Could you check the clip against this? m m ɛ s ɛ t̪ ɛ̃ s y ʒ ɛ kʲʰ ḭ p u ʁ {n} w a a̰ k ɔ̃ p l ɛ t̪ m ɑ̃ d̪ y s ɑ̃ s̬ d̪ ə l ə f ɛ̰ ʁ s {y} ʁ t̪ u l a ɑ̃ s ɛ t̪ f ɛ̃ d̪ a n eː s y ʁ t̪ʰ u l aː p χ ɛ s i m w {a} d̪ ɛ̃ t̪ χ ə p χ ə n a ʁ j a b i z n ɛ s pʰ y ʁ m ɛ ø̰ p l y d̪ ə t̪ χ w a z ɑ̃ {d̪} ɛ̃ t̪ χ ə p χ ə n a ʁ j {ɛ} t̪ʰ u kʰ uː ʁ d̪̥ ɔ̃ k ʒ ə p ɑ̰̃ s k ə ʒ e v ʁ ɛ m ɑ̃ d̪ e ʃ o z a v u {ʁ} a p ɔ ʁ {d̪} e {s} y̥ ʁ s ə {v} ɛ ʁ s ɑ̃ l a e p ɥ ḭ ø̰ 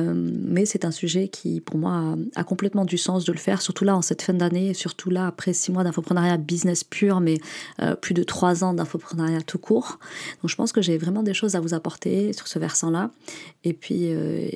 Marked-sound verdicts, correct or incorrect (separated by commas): incorrect, correct, correct, correct, incorrect, incorrect, incorrect, correct, correct